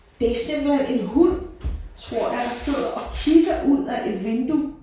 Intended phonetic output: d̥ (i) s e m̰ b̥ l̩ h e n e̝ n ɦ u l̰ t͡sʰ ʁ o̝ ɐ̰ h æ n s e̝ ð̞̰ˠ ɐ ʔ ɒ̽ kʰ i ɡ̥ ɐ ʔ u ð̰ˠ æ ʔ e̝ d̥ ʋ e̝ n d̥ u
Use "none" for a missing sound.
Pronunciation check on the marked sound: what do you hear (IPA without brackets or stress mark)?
e